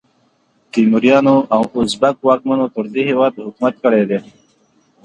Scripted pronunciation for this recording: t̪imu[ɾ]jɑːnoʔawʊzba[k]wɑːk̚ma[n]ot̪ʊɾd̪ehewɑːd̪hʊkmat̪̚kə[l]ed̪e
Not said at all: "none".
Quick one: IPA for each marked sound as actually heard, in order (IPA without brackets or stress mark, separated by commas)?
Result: ɾ, k, n, ɽ